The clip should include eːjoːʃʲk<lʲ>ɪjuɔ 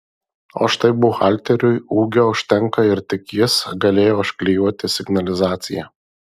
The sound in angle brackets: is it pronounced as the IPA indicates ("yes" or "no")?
yes